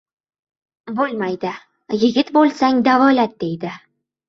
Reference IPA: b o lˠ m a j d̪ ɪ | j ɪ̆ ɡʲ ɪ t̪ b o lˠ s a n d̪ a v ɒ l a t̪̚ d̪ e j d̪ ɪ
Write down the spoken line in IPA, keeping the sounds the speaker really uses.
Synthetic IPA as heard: b o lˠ m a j d̪ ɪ | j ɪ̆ ɡʲ ɪ t̪ b o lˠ s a ŋ d̪ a v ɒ l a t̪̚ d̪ e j d̪ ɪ